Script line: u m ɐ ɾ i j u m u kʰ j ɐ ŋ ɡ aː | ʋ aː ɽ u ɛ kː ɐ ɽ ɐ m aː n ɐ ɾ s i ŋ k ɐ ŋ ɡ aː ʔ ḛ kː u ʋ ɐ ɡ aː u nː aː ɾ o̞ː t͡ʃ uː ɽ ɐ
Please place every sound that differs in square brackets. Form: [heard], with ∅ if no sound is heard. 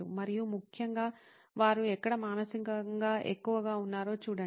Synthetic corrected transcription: u m ɐ ɾ i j u m u kʰ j ɐ ŋ ɡ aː | ʋ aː [ɾ] u ɛ kː ɐ ɽ ɐ m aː n ɐ [∅] s i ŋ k ɐ ŋ ɡ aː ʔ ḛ kː u ʋ ɐ ɡ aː u nː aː ɾ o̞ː t͡ʃ uː ɽ ɐ